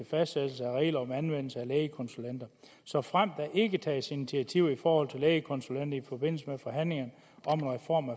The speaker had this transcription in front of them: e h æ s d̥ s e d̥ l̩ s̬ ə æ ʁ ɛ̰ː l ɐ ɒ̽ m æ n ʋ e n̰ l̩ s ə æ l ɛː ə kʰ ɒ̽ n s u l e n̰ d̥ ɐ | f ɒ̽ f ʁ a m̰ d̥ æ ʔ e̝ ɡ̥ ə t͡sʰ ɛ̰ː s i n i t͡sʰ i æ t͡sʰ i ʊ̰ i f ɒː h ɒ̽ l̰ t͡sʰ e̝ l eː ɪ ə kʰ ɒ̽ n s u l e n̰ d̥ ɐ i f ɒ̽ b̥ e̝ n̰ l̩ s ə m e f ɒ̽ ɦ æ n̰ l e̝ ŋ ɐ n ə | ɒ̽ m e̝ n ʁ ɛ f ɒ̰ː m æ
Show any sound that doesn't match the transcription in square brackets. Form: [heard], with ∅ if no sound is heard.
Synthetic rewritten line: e [f] æ s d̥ s e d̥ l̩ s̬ ə æ ʁ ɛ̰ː l ɐ ɒ̽ m æ n ʋ e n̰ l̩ s ə æ l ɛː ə kʰ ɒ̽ n s u l e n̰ d̥ ɐ | [s] ɒ̽ f ʁ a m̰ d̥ æ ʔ e̝ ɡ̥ ə t͡sʰ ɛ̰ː s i n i t͡sʰ i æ t͡sʰ i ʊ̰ i f ɒː h ɒ̽ l̰ t͡sʰ e̝ l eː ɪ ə kʰ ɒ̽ n s u l e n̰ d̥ ɐ i f ɒ̽ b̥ e̝ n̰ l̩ s ə m e f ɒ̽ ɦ æ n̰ l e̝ ŋ ɐ n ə | ɒ̽ m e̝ n ʁ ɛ f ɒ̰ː m æ